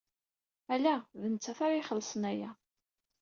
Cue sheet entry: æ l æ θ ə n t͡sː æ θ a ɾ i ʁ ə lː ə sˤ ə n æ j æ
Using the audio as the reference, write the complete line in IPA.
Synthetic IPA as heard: æ l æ ð ə n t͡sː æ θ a ɾ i χ ə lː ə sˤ ə n æ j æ